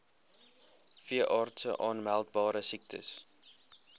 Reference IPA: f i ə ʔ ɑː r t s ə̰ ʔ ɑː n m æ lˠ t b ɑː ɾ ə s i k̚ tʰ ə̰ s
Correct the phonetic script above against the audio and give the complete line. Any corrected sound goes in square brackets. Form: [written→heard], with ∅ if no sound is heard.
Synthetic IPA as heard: f i ə ʔ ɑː r t s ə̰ ʔ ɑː n m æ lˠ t b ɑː ɾ ə s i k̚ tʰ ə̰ s